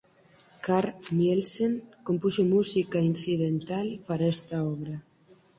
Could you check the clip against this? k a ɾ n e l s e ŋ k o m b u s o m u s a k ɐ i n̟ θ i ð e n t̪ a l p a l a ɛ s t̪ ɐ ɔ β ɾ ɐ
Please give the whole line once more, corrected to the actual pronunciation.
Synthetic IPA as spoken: k a ɾ n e l s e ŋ k o m p u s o m u s i k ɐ i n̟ θ i ð e n t̪ a l p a ɾ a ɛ s t̪ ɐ ɔ β ɾ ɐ